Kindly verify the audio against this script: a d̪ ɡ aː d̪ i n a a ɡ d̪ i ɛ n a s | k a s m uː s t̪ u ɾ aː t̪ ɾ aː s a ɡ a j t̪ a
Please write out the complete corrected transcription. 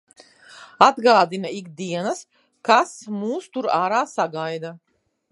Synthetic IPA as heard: a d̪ ɡ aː d̪ i n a i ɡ d̪ i ɛ n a s | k a s m uː s t̪ u ɾ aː ɾ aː s a ɡ a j d̪ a